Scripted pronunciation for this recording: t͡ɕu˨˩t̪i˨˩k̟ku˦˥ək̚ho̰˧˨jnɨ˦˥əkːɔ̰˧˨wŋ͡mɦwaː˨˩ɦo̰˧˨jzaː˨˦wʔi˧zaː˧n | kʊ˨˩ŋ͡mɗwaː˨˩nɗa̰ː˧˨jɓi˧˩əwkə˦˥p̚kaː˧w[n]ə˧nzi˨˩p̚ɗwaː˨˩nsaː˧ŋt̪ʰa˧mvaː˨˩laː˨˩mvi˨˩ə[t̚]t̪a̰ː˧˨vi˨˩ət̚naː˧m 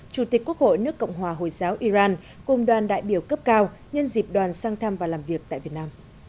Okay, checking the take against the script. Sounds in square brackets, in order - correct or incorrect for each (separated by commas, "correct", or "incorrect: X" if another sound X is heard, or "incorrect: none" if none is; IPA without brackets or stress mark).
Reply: incorrect: ɲ, incorrect: k̚